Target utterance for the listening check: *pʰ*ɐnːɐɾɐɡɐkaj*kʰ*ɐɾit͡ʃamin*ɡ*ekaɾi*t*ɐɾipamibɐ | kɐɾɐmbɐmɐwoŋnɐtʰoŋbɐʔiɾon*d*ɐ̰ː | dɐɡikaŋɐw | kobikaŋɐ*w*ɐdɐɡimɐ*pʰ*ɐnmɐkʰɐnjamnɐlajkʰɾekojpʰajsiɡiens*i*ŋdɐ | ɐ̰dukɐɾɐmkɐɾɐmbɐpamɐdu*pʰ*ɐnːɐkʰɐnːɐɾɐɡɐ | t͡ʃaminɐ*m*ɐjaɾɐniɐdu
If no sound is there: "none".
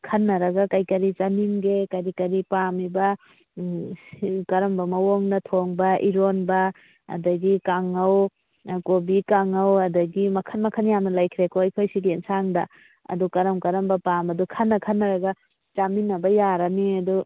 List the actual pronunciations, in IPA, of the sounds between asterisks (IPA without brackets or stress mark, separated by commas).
kʰ, k, ɡ, k, b, w, kʰ, a, kʰ, b